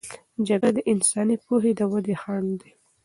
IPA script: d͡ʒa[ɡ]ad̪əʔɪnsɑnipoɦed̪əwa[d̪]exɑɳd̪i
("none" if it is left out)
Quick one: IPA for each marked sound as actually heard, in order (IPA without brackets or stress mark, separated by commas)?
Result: ɡ, d̪